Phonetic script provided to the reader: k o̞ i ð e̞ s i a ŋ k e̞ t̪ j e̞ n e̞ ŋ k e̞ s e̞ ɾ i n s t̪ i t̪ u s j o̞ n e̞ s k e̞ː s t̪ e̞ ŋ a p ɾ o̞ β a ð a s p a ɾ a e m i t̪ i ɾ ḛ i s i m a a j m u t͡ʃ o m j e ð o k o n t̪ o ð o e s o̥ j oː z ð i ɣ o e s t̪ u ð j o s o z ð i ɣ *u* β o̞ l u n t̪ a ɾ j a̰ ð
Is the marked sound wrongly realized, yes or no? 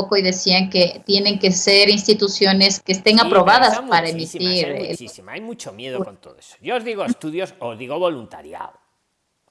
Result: yes